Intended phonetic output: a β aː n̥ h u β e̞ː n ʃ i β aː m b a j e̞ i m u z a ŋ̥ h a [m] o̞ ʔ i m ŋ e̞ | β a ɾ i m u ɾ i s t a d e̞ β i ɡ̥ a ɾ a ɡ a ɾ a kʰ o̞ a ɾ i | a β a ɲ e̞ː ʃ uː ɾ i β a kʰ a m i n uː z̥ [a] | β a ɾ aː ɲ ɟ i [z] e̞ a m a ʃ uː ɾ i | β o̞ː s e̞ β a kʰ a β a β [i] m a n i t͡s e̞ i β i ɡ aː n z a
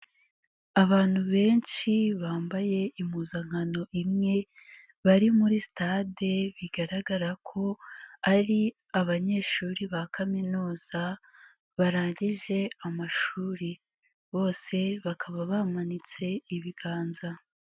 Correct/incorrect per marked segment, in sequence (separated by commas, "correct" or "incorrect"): incorrect, correct, incorrect, incorrect